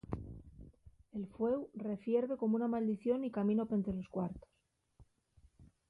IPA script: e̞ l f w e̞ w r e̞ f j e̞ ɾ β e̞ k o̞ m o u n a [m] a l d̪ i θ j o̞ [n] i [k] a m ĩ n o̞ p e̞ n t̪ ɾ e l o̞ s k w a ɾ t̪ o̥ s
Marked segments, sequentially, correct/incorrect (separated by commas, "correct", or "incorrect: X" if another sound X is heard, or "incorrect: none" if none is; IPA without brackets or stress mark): correct, correct, correct